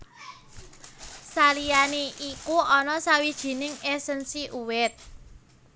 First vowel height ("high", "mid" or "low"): low